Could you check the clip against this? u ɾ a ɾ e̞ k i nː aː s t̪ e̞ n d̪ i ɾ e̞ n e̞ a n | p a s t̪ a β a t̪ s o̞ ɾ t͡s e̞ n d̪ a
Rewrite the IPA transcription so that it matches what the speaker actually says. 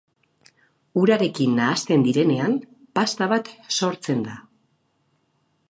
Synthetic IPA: u ɾ a ɾ e̞ k i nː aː s t̪ e̞ n d̪ i ɾ e̞ n e̞ a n | p a s t̪ a β a t̪ s o̞ ɾ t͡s e̞ n d̪ a